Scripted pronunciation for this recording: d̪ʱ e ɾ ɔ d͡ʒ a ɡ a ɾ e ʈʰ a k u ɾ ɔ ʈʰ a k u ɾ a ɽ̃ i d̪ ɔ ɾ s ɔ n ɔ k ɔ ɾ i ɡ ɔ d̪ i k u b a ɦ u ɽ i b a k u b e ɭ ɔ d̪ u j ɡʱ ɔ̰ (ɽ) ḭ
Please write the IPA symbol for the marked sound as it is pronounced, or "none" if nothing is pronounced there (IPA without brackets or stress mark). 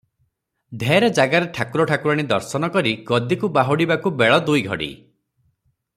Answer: ɽ